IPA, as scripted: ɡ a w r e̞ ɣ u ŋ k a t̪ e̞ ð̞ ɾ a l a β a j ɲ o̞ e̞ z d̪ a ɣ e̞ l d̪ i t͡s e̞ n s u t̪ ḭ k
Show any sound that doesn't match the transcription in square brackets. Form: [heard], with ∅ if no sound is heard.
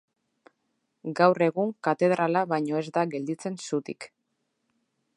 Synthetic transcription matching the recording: ɡ a w r e̞ ɣ u ŋ k a t̪ e̞ ð̞ ɾ a l a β a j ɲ o̞ e̞ z d̪ a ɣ e̞ l d̪ i t͡s e̞ n s u t̪ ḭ k